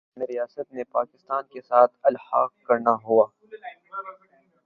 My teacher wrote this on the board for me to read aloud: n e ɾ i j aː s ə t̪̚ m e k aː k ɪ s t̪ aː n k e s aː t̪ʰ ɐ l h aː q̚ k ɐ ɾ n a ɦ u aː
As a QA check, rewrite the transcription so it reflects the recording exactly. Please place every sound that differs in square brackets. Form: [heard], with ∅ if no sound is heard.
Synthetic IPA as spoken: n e ɾ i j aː s ə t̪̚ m e [p] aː k ɪ s t̪ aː n k e s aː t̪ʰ ɐ l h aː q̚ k ɐ ɾ n a ɦ u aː